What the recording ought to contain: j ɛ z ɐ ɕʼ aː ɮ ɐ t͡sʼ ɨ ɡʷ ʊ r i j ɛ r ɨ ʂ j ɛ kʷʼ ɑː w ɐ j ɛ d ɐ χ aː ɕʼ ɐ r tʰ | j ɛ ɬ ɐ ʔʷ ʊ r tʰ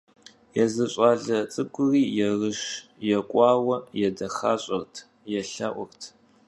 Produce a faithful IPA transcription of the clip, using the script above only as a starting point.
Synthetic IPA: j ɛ z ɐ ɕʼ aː ɮ ɐ t͡sʼ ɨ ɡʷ ʊ r iː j ɛ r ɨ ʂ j ɛ kʷʼ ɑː w ɐ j ɛ d ɐ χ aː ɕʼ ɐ r tʰ | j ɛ ɬ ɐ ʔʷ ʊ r tʰ